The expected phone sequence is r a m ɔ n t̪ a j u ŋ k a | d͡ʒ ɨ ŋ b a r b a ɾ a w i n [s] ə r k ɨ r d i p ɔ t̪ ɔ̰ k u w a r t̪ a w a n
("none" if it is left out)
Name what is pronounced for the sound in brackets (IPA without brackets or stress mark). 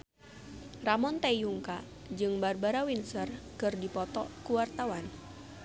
s